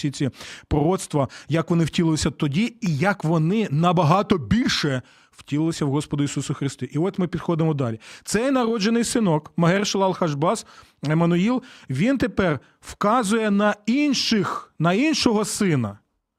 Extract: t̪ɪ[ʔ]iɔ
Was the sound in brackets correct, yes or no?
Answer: yes